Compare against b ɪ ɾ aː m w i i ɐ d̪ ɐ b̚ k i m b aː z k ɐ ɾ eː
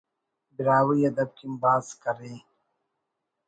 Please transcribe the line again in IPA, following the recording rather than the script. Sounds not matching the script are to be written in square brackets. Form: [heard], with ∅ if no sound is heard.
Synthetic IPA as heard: b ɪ ɾ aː [∅] w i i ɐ d̪ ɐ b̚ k i m b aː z k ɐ ɾ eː